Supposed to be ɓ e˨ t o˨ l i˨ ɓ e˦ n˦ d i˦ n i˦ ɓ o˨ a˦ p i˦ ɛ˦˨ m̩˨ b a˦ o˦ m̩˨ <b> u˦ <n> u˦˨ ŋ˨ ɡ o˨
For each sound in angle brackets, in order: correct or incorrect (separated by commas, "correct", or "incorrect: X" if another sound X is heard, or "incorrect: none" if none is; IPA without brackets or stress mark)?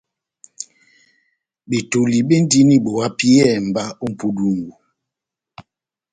incorrect: p, incorrect: d